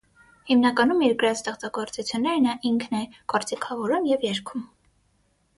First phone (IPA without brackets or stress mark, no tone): h